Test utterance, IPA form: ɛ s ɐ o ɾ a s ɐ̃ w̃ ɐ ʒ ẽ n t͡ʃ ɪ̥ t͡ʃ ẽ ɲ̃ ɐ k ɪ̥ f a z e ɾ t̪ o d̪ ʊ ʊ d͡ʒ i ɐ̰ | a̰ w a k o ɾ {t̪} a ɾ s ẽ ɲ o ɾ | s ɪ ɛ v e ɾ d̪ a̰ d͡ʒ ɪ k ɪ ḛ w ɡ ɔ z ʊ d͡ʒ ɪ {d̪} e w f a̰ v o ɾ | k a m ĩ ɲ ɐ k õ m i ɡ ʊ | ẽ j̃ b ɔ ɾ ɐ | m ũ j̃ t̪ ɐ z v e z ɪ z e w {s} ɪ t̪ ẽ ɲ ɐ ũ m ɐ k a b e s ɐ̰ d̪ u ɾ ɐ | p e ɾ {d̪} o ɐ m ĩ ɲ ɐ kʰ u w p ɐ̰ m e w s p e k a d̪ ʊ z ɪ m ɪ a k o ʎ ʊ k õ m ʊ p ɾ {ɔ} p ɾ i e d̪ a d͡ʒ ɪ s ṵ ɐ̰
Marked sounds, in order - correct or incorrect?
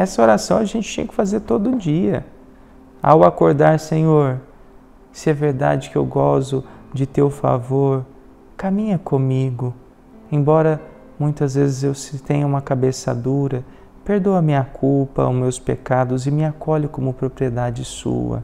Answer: incorrect: d̪, incorrect: t̪, correct, correct, incorrect: o

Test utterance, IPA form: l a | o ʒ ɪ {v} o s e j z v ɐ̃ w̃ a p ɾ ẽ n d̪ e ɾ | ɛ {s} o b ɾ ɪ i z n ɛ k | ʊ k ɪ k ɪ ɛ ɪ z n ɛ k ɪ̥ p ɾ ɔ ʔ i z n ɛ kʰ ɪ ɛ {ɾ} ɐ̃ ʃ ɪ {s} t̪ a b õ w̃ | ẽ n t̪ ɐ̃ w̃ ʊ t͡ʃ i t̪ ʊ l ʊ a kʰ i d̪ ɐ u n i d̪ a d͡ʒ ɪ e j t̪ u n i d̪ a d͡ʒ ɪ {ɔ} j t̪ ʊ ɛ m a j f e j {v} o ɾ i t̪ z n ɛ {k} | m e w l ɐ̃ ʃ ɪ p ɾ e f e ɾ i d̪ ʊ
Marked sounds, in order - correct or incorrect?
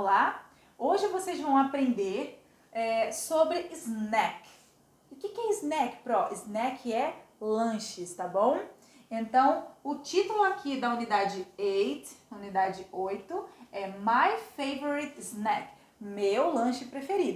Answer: correct, correct, incorrect: l, correct, incorrect: o, correct, correct

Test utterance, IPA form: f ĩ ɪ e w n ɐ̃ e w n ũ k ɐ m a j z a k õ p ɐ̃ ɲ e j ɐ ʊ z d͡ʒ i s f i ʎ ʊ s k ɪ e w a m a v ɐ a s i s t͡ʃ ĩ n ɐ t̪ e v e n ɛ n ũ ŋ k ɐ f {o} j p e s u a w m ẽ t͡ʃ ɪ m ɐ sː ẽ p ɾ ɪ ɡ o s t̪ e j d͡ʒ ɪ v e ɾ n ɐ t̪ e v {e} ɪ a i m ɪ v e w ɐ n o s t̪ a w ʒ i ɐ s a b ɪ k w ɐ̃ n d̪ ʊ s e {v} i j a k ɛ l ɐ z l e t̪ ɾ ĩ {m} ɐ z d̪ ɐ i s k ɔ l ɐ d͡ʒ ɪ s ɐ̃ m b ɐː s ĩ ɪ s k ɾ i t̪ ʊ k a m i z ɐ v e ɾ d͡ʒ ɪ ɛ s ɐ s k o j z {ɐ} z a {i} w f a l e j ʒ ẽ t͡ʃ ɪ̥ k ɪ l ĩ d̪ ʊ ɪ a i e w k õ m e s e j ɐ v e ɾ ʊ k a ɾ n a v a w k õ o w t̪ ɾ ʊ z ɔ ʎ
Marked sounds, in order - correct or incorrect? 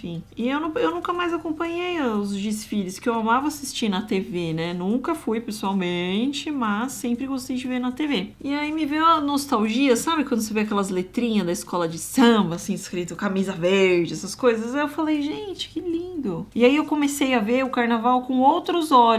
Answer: incorrect: u, correct, correct, incorrect: ɲ, correct, incorrect: e

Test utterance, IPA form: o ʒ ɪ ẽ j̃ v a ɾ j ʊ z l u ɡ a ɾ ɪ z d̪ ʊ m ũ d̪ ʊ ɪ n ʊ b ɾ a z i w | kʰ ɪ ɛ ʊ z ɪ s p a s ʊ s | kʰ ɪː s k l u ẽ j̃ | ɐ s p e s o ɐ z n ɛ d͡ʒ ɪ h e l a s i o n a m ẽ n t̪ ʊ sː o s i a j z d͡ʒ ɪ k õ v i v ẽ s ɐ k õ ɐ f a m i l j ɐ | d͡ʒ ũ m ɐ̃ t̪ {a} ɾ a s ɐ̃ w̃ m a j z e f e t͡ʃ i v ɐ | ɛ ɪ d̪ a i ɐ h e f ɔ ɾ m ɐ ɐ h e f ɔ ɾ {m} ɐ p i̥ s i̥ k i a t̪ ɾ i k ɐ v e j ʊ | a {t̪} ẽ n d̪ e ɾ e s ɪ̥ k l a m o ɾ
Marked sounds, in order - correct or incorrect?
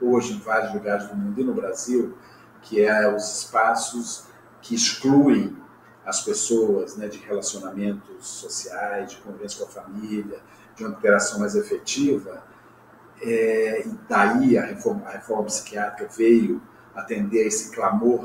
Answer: incorrect: e, correct, correct

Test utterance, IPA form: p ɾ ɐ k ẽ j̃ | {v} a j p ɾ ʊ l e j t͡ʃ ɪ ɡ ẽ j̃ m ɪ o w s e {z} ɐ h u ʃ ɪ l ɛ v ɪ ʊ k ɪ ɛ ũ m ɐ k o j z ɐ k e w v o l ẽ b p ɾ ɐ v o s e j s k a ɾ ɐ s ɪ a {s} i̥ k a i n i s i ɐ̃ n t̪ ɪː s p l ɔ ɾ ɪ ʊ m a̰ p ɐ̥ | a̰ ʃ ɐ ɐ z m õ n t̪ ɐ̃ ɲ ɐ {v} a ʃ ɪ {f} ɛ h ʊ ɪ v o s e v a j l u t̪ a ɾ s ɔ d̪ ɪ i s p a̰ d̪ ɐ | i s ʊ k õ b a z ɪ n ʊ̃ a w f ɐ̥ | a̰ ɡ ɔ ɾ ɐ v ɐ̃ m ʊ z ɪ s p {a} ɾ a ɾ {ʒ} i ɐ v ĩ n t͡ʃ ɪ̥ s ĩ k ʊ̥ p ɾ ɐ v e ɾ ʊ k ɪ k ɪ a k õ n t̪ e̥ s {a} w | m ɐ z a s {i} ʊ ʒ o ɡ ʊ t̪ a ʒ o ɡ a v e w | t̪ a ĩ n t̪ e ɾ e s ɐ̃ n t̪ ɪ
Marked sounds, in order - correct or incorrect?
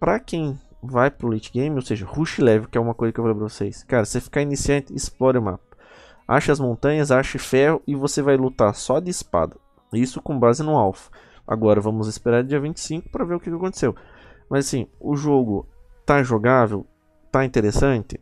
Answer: correct, incorrect: ʒ, incorrect: f, incorrect: z, correct, incorrect: e, incorrect: d͡ʒ, incorrect: e, incorrect: ĩ

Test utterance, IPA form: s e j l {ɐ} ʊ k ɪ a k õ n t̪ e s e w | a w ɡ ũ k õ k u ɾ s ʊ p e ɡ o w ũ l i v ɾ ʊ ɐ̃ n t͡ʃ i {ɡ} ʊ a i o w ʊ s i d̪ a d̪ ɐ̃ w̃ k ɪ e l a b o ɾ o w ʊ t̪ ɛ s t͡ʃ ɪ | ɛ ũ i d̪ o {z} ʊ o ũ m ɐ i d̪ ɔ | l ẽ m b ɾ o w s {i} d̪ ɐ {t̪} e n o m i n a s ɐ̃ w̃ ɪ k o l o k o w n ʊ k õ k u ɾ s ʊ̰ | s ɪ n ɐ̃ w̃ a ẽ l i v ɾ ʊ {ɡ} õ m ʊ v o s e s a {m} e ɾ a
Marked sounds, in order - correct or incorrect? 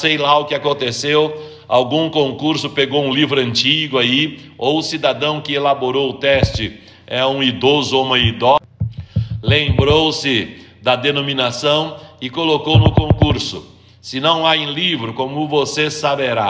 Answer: incorrect: a, correct, correct, incorrect: ɪ, incorrect: d̪, incorrect: k, incorrect: b

